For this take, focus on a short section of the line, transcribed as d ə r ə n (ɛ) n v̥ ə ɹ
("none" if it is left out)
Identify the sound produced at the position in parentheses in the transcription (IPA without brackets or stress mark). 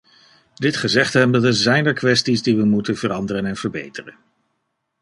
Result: ɛ